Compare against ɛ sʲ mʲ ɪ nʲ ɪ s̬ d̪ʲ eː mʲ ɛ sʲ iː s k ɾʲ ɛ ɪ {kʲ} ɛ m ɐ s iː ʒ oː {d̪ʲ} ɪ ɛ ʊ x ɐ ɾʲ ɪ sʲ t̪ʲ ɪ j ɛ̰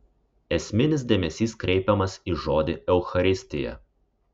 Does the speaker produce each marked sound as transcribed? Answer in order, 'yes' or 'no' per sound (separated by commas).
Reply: no, yes